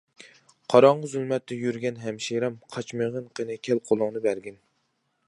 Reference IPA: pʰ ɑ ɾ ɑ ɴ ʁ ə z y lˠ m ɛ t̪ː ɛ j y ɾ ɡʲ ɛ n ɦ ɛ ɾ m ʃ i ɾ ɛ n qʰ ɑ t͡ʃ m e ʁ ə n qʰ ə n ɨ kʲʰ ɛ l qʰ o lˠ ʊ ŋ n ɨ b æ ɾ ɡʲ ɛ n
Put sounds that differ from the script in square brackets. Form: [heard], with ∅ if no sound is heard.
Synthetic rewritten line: [qʰ] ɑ ɾ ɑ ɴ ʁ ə z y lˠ m ɛ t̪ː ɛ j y ɾ ɡʲ ɛ n ɦ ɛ [∅] m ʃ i ɾ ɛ [m] qʰ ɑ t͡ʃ m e ʁ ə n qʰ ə n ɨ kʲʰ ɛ l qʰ o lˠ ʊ ŋ n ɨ b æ ɾ ɡʲ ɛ n